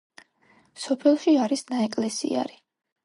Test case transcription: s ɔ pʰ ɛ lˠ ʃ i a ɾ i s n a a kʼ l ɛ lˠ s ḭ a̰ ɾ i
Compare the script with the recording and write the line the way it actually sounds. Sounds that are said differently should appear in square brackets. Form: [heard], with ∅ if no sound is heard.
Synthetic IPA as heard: s ɔ pʰ ɛ lˠ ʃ i a ɾ i s n a [ɛ] kʼ l ɛ [∅] s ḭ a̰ ɾ i